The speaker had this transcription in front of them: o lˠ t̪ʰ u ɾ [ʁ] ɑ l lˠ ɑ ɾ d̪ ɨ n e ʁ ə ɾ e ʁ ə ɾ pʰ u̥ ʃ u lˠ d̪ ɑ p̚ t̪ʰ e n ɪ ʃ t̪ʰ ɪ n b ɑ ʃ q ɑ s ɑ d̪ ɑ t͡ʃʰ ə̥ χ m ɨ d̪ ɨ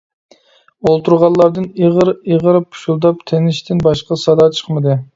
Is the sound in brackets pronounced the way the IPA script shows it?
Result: yes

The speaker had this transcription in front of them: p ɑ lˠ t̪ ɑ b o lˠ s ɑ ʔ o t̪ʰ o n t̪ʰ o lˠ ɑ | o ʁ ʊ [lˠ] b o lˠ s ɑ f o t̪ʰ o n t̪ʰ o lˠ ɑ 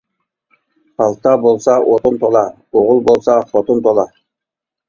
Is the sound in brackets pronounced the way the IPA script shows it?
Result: yes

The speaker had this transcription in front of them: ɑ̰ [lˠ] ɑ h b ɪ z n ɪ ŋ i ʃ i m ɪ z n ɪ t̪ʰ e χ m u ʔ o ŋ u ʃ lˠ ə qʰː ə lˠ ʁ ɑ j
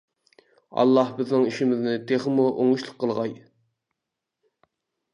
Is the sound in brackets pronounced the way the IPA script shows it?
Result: no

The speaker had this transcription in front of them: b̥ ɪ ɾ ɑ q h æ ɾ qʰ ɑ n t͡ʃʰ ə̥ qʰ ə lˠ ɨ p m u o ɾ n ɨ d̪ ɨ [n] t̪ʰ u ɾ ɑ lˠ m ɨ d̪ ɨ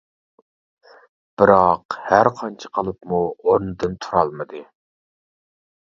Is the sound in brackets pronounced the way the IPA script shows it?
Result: yes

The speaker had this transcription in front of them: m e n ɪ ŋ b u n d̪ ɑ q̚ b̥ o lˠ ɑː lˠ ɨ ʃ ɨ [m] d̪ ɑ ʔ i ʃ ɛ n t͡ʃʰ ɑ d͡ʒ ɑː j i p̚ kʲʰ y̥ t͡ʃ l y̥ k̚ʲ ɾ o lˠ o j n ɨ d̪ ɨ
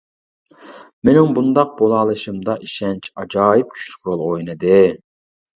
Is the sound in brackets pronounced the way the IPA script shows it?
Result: yes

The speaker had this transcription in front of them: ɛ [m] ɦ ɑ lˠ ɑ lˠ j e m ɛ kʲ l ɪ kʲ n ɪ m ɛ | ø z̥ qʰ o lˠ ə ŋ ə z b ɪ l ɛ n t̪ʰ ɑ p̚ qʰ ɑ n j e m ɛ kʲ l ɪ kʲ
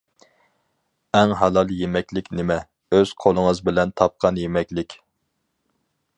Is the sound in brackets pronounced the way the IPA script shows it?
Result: no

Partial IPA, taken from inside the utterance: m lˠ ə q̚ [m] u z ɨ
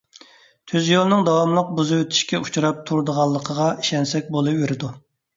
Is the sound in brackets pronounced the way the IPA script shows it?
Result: no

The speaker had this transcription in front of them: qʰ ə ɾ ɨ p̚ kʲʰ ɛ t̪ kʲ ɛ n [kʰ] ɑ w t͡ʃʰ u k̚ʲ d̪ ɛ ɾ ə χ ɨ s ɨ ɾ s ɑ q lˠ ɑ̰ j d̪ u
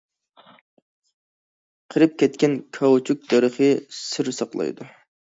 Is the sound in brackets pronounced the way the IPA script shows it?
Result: yes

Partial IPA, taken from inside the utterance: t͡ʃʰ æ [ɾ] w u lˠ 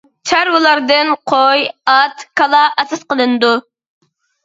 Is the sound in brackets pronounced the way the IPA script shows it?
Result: yes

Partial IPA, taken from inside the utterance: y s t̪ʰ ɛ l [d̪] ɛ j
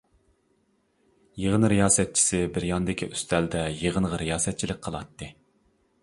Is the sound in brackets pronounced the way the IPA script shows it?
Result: yes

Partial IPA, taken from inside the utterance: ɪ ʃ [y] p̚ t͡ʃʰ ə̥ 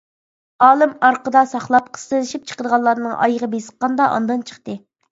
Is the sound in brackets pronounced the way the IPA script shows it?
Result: no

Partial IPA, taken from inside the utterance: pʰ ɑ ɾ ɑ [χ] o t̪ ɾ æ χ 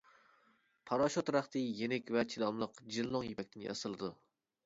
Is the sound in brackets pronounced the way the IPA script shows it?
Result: no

